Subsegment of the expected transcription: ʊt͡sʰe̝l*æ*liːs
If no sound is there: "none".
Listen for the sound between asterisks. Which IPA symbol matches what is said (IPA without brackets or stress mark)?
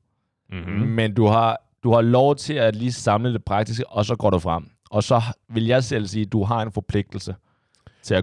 æ